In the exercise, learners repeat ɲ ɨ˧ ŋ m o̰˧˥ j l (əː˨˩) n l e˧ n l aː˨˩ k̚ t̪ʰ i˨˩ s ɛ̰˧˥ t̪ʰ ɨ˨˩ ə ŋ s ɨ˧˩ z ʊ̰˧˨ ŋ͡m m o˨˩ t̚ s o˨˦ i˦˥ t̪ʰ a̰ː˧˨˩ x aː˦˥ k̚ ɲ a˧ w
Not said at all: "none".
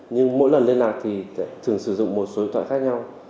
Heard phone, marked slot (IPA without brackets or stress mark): ə˨˩